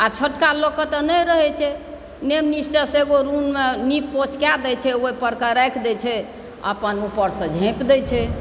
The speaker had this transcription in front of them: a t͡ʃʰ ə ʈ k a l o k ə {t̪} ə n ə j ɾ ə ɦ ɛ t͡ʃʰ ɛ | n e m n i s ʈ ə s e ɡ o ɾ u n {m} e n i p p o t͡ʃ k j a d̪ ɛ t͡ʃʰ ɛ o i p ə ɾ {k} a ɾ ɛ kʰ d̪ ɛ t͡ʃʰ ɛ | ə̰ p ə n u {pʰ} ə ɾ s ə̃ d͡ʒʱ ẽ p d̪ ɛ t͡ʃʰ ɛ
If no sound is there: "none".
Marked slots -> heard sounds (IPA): t̪, m, k, p

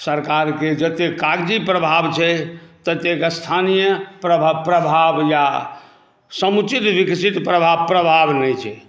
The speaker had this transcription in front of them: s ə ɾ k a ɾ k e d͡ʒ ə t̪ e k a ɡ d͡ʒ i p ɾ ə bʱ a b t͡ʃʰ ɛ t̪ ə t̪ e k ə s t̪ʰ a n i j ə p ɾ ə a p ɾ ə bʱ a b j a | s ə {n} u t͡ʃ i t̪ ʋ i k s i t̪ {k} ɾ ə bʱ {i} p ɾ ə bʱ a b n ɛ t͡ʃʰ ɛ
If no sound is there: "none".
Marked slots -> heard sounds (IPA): m, p, a

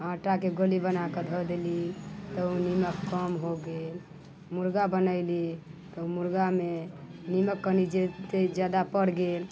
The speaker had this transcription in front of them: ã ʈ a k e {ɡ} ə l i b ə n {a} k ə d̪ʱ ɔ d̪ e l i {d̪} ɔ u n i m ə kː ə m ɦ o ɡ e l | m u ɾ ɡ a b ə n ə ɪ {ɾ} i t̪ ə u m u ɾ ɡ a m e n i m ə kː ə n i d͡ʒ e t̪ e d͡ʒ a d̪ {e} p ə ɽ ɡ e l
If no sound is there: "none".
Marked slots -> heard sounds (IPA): ɡ, a, t̪, l, a

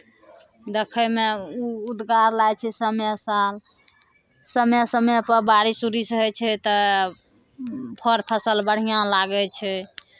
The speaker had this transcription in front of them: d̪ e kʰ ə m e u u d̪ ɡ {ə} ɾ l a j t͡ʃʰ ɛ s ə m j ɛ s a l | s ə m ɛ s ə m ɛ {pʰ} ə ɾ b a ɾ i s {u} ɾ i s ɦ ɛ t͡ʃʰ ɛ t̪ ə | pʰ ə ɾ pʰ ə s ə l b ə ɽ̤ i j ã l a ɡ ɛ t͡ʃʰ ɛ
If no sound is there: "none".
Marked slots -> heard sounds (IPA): a, p, u

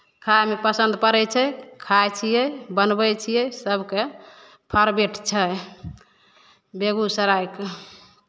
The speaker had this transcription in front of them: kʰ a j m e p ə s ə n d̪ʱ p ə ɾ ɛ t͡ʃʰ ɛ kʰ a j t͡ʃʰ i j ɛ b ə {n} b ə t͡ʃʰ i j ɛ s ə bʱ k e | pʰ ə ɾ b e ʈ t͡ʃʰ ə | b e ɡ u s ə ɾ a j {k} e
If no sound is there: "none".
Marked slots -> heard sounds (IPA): n, k

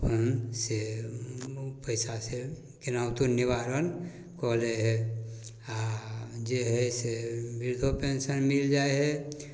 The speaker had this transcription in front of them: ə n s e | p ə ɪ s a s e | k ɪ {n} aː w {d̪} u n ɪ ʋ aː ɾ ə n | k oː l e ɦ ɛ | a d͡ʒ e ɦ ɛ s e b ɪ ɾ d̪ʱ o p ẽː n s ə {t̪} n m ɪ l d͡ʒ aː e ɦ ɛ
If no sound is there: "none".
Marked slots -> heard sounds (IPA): n, t̪, none

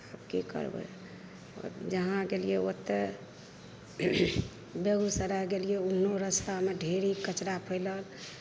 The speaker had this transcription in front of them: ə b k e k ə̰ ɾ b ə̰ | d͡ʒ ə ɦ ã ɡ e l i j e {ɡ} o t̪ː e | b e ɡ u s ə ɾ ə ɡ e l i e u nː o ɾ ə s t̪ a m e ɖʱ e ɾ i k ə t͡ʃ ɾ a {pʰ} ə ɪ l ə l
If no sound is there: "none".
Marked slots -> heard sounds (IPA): none, pʰ

